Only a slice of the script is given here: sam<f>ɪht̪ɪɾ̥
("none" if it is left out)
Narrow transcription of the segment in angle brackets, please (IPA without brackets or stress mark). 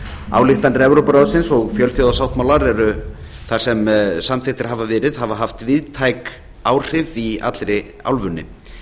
θ